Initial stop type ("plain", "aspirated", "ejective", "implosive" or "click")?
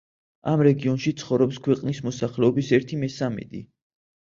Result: plain